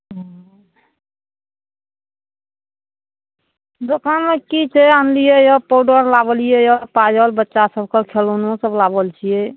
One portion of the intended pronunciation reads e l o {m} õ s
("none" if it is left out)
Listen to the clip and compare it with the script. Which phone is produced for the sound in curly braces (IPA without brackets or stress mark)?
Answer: n